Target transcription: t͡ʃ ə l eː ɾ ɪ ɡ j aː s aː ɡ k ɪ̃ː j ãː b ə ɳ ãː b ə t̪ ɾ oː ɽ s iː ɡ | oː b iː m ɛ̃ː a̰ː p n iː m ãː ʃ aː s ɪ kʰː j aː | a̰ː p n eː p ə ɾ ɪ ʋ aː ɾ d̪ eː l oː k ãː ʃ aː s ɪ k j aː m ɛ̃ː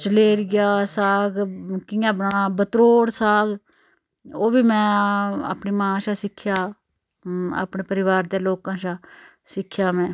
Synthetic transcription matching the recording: t͡ʃ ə l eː ɾ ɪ ɡ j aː s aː ɡ k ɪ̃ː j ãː b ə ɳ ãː b ə t̪ ɾ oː ɽ s aː ɡ | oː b iː m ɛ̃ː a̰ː p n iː m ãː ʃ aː s ɪ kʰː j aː | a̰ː p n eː p ə ɾ ɪ ʋ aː ɾ d̪ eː l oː k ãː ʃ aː s ɪ kʰ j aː m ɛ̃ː